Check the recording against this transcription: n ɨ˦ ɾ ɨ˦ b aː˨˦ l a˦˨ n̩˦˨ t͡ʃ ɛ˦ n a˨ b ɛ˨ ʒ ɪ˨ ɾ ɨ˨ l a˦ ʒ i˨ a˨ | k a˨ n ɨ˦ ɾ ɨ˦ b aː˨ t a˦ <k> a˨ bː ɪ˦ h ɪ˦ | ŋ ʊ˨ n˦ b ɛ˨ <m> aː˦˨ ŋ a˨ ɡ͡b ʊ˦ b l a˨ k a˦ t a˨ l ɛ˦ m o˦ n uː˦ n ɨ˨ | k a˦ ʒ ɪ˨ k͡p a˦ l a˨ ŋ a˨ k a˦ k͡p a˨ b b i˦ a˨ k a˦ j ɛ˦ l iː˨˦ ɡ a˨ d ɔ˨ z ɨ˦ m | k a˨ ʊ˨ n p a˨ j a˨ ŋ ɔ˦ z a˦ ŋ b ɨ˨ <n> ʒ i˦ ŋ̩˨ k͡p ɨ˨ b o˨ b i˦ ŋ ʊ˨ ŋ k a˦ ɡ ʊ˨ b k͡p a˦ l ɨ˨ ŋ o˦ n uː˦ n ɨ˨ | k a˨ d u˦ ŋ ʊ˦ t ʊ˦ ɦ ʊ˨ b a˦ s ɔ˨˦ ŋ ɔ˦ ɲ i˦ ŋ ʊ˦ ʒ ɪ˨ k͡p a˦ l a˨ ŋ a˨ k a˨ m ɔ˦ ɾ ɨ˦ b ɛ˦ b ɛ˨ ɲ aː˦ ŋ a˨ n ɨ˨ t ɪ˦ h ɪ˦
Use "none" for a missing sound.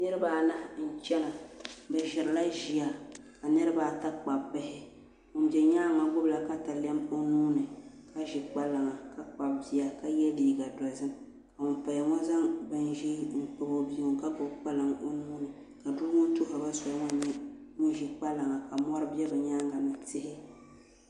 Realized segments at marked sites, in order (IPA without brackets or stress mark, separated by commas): k͡p, ɲ, n